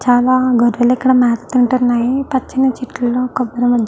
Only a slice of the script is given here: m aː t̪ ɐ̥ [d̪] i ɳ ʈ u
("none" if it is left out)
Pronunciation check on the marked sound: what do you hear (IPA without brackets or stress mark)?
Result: t̪